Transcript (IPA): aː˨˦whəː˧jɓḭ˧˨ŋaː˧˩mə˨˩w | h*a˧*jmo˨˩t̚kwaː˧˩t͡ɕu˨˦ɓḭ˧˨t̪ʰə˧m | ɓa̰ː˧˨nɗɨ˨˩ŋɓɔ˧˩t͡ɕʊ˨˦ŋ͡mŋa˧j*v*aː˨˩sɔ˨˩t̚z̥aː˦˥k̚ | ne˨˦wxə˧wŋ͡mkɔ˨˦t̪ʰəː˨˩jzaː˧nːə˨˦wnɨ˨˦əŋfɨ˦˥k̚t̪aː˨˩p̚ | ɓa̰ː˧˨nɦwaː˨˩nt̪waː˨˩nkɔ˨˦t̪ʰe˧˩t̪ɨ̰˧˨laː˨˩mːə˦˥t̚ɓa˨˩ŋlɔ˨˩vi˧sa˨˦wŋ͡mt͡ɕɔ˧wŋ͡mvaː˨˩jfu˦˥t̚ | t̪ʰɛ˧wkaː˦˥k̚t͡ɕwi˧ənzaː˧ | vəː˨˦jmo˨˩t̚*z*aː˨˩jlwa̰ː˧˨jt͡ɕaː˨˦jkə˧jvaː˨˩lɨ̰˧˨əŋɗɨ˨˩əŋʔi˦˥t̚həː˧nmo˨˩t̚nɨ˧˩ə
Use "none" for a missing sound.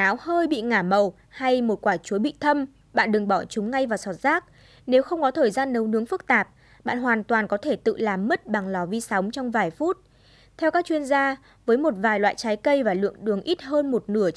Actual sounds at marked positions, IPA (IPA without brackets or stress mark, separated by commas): a˧, v, v